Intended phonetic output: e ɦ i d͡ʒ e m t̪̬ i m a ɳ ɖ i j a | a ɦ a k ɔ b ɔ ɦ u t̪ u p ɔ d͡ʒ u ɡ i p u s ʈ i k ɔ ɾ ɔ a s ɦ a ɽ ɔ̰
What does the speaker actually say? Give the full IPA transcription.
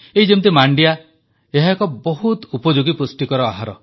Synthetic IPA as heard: e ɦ i d͡ʒ e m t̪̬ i m a ɳ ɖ i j a | e ɦ a k ɔ b ɔ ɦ u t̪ u p ɔ d͡ʒ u ɡ i p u s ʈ i k ɔ ɾ ɔ a ɦ a ɾ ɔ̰